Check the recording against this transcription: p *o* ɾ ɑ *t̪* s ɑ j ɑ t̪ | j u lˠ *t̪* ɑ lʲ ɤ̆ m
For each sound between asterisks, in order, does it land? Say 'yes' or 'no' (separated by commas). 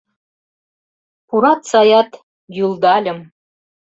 no, yes, no